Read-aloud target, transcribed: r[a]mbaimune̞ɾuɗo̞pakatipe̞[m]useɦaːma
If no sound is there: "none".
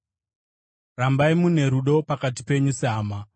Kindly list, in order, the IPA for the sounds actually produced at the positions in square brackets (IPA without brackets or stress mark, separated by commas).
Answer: a, ɲ